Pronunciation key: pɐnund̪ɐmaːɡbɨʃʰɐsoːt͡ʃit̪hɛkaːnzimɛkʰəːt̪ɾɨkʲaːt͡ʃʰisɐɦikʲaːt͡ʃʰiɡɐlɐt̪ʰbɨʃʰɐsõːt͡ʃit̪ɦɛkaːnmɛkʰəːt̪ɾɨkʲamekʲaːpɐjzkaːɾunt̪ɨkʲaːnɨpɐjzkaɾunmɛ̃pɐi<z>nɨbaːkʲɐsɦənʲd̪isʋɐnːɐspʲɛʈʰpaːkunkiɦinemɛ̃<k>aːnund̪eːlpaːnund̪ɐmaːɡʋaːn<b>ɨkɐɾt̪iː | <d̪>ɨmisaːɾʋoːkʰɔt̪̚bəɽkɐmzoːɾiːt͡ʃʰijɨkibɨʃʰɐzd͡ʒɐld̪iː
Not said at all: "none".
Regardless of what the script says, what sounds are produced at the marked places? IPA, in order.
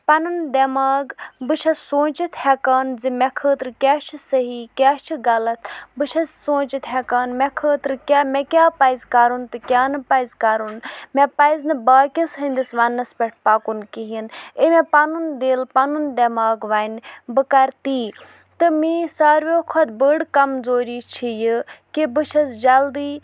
z, p, b, t̪

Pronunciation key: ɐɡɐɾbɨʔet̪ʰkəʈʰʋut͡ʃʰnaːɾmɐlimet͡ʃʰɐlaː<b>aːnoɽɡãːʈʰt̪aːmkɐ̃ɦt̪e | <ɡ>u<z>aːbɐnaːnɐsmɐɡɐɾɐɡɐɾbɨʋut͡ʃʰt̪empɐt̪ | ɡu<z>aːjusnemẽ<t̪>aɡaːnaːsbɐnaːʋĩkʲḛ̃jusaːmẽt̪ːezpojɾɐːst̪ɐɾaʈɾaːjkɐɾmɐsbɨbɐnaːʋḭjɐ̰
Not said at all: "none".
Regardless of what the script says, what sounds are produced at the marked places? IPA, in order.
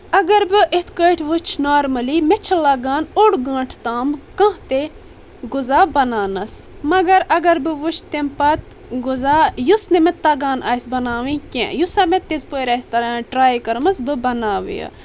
ɡ, ɡ, z, z, t̪

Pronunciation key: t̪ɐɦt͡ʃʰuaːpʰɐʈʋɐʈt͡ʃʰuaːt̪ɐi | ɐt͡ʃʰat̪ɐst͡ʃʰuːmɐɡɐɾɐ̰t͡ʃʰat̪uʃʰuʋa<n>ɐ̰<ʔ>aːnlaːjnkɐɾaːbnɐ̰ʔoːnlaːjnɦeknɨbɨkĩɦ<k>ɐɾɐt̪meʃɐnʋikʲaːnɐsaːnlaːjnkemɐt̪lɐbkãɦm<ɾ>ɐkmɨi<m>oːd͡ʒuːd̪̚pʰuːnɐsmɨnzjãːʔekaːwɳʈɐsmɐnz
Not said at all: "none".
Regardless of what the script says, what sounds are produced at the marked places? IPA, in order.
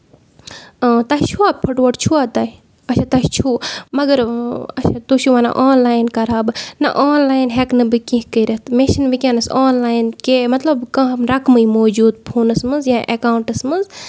n, ʔ, k, ɾ, m

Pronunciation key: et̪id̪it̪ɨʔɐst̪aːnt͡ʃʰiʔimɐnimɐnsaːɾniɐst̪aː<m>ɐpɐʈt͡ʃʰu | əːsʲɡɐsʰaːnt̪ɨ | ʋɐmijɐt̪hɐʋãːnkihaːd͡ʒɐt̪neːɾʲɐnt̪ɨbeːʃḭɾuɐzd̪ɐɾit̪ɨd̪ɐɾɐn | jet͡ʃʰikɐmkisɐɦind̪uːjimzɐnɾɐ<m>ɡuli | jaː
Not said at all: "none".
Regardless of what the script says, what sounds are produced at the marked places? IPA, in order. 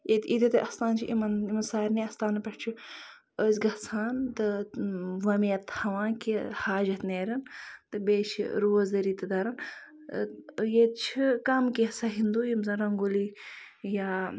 n, ŋ

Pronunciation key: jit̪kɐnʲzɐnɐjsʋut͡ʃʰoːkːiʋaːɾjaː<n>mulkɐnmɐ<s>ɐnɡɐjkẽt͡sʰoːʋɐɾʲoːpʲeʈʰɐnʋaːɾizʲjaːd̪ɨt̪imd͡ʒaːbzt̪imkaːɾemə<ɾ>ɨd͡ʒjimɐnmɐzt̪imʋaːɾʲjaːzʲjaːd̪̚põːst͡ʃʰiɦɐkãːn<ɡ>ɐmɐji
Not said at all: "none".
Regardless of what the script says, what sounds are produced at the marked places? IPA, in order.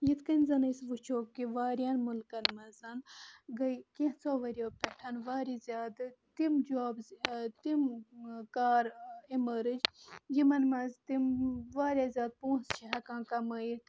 n, z, ɾ, k

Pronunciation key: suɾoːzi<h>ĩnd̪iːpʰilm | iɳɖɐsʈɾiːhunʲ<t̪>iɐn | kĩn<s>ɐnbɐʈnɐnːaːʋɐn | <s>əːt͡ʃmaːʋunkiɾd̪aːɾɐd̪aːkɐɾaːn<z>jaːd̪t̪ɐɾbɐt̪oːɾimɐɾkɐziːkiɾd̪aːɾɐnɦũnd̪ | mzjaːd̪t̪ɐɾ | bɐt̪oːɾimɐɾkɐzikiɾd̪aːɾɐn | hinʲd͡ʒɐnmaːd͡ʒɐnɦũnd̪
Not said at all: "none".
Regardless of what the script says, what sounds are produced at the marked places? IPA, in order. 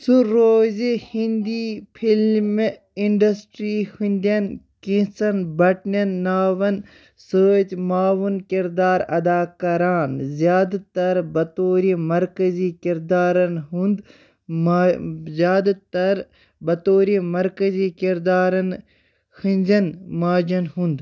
h, d̪, s, s, z

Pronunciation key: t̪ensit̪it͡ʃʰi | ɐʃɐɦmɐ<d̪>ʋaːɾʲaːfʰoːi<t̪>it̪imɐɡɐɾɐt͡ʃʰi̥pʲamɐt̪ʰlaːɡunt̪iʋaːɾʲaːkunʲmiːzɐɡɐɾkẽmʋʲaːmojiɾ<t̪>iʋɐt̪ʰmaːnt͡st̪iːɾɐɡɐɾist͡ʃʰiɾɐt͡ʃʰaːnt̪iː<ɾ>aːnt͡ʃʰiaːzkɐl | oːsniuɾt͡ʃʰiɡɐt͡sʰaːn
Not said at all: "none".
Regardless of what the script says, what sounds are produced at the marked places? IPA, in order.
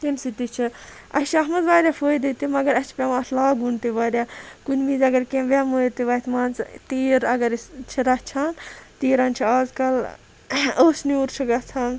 d̪, d̪, t̪, ɾ

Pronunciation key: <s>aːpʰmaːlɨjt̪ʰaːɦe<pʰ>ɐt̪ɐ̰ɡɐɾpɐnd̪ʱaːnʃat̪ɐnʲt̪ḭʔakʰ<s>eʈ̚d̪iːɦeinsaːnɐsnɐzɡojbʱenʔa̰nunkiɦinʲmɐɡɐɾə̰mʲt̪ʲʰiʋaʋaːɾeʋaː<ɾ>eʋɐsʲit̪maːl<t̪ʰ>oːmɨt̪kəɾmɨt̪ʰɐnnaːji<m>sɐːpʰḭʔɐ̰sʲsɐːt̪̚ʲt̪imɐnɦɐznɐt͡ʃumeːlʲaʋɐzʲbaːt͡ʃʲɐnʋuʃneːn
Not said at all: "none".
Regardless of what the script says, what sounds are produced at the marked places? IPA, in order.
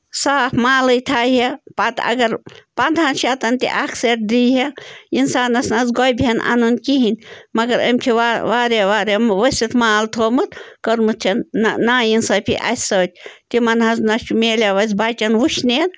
s, p, s, ɾ, t̪ʰ, n

